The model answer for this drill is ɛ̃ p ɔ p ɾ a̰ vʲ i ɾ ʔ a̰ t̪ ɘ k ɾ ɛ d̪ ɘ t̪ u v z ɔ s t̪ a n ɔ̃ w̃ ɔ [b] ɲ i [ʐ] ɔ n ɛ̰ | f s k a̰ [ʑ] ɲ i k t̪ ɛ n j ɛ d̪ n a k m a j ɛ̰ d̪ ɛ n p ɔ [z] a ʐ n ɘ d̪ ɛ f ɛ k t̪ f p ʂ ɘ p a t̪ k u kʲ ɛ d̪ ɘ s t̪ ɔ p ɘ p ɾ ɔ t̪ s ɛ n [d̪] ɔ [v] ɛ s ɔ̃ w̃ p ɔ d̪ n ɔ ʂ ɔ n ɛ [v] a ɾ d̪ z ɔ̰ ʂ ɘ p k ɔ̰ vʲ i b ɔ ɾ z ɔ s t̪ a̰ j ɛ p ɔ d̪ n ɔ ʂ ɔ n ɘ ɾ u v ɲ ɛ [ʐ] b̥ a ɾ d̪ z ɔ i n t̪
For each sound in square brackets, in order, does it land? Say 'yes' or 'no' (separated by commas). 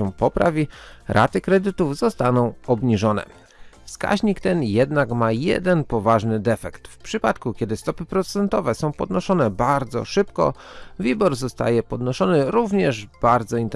yes, yes, yes, no, no, yes, no, yes